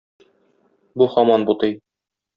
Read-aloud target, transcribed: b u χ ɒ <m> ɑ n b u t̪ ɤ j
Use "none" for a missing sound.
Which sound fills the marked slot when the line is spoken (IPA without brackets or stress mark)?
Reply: m